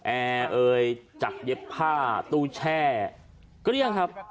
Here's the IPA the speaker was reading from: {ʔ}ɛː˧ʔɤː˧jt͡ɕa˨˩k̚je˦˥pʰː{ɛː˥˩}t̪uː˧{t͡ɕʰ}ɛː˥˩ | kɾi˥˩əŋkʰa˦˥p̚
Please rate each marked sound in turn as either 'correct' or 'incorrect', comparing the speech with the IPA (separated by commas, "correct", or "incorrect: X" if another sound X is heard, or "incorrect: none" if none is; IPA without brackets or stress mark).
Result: correct, incorrect: aː˥˩, correct